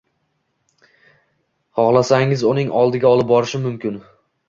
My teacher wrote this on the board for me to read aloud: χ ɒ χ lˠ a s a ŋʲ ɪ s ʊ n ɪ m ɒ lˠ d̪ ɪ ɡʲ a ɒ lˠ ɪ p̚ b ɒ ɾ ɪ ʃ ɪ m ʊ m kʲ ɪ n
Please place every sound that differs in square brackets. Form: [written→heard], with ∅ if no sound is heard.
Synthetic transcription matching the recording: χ ɒ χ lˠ a s a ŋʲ ɪ [s→z] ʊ n ɪ [m→ŋ] ɒ lˠ d̪ ɪ ɡʲ a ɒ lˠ ɪ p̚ b ɒ ɾ ɪ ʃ ɪ m ʊ m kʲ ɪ n